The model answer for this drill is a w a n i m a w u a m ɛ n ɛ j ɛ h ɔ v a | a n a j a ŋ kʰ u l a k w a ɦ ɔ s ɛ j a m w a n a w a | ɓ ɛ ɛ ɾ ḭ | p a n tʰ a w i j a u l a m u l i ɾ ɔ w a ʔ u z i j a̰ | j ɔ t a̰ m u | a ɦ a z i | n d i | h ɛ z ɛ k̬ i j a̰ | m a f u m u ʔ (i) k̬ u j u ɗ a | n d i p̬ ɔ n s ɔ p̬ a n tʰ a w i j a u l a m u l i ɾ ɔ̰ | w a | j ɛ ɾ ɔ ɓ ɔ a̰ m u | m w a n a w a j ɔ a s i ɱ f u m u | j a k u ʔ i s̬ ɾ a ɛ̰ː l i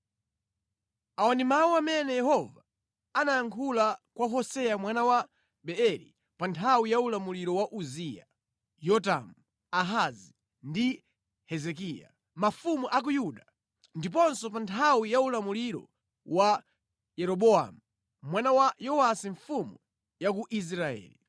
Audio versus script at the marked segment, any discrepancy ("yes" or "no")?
yes